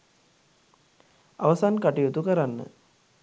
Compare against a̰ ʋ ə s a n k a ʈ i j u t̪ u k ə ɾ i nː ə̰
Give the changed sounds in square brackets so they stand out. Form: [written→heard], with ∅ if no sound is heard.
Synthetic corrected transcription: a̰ ʋ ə s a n k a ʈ i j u t̪ u k ə ɾ [i→a] nː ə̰